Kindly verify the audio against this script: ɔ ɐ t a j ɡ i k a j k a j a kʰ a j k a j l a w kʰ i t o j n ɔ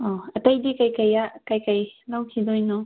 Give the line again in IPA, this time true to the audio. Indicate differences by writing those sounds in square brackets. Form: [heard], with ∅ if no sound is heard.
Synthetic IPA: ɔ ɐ t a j [d] i k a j k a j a [k] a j k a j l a w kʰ i [d] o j n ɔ